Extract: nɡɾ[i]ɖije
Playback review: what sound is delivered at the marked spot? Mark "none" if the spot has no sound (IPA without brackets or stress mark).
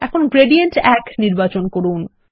e